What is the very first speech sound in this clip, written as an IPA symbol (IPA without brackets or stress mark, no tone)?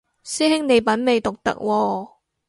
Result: s